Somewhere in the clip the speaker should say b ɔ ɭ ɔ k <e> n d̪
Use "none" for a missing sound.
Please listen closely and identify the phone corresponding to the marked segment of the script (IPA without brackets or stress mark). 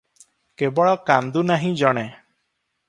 a